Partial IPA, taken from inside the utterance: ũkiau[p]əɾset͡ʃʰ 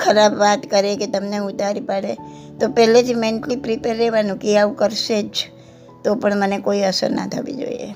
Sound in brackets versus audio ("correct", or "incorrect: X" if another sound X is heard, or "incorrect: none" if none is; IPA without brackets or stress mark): incorrect: k